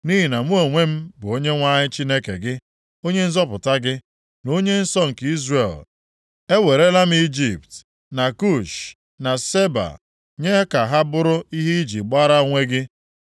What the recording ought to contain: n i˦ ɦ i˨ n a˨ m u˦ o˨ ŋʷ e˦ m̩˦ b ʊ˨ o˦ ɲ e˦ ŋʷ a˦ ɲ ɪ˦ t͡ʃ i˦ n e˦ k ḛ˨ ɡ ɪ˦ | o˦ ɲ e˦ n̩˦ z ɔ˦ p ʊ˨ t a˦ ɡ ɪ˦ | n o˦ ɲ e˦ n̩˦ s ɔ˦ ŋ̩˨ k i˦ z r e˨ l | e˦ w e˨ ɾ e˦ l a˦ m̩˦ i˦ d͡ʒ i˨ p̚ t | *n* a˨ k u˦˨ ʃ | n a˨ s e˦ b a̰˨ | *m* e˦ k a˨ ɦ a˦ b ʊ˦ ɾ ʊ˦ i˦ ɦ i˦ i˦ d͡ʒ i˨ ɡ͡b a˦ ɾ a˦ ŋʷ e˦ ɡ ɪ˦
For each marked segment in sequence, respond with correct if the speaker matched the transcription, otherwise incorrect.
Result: correct, incorrect

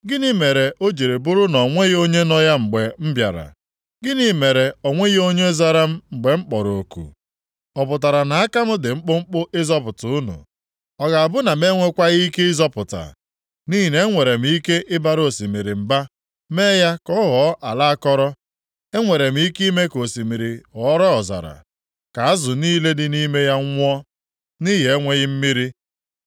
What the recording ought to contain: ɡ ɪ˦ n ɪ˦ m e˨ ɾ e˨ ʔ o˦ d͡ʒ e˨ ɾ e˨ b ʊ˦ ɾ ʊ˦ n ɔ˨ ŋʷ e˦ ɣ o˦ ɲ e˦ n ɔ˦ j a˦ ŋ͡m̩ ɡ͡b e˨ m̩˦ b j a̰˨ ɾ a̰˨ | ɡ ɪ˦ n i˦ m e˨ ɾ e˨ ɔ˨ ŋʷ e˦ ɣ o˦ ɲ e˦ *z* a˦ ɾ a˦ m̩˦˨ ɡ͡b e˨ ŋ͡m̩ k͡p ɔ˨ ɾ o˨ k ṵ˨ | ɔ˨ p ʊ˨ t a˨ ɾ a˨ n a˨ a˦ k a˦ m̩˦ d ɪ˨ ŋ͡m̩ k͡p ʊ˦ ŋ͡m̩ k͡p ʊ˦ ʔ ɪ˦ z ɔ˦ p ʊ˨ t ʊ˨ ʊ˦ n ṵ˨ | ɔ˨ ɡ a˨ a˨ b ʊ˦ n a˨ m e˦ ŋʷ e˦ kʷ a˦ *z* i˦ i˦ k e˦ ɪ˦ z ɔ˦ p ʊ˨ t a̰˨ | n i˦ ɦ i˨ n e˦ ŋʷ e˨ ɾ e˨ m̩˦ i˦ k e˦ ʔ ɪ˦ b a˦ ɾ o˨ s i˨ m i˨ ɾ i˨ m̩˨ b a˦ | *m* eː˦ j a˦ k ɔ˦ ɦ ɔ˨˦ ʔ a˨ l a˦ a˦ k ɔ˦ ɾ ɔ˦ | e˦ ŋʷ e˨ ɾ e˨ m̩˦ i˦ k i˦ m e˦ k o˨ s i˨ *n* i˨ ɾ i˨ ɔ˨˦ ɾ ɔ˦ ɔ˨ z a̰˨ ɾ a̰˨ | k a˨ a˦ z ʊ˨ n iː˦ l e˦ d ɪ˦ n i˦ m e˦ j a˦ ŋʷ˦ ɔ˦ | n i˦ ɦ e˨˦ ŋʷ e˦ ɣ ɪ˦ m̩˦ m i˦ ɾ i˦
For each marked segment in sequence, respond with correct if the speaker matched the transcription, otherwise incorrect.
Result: correct, incorrect, correct, incorrect

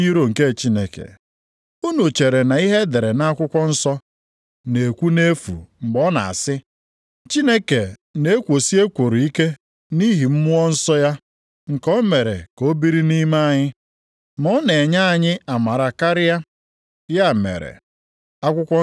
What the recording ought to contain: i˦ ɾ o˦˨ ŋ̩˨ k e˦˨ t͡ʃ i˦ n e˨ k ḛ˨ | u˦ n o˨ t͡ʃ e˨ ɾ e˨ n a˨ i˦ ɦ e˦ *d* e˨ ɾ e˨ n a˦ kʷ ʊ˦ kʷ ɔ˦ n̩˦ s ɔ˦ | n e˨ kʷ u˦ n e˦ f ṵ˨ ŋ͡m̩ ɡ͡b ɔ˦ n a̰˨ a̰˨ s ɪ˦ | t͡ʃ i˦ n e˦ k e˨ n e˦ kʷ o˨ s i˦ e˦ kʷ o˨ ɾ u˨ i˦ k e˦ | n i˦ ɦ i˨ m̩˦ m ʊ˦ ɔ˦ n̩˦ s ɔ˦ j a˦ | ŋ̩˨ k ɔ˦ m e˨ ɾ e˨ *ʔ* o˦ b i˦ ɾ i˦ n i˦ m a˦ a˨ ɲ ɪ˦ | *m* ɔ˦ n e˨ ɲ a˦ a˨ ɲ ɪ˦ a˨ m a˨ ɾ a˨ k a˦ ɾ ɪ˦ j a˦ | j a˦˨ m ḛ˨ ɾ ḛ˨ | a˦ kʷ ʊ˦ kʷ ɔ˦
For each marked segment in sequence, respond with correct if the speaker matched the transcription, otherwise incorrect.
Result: correct, incorrect, correct

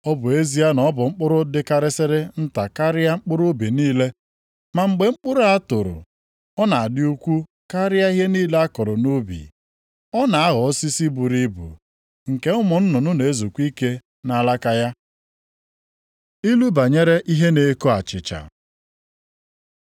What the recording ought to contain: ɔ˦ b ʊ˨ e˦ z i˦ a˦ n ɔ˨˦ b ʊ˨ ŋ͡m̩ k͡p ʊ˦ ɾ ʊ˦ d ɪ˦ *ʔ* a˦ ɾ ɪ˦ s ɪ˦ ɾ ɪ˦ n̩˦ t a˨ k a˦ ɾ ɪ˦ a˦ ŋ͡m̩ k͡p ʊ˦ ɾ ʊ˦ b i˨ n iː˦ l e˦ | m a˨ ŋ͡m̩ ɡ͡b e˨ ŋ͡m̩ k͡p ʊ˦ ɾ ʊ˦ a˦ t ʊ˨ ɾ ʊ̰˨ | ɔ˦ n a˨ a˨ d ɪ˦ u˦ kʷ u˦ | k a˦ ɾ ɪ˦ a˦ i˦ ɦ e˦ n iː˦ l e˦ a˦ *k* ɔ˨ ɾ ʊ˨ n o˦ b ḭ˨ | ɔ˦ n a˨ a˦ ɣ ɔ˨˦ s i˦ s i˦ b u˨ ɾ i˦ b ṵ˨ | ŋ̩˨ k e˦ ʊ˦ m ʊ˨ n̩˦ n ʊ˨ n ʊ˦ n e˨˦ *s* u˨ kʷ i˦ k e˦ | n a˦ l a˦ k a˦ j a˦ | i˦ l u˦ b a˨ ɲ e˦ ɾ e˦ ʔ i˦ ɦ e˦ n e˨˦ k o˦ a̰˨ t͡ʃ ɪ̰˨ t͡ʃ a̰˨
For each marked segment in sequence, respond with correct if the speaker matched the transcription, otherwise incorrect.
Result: incorrect, correct, incorrect

